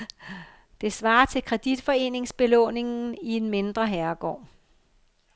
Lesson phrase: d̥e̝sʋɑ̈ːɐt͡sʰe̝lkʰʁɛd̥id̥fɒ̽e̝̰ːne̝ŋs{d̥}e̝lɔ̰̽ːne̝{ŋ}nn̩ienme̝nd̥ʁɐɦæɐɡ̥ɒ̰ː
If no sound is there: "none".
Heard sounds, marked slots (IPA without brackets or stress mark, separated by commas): b̥, ŋ